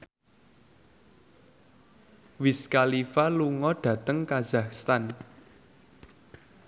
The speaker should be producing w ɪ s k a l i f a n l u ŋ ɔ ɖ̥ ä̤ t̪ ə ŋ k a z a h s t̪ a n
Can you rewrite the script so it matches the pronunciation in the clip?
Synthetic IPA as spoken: w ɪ s k a l i f a l u ŋ ɔ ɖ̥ ä̤ t̪ ə ŋ k a z a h s t̪ a n